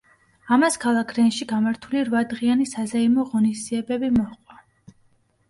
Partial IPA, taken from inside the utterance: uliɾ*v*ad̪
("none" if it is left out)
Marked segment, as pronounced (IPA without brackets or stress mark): v